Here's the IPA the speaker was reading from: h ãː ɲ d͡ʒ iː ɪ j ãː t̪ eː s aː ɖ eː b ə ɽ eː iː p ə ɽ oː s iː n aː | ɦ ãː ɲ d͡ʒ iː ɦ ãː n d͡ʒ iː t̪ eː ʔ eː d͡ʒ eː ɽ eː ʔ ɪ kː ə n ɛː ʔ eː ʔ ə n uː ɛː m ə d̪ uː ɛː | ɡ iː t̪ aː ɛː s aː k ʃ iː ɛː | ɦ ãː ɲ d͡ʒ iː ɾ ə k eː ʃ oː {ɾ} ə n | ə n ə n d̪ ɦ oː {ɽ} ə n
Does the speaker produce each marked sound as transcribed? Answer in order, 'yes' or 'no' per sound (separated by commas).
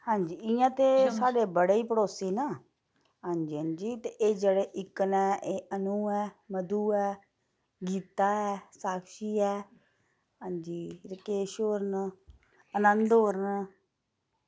yes, no